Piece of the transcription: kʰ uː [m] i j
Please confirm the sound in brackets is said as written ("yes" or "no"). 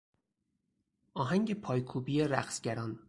no